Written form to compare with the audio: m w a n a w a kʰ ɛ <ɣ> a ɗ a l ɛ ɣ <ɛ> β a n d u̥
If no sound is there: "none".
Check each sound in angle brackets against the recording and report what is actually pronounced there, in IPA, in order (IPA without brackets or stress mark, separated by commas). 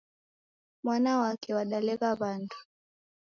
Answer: w, a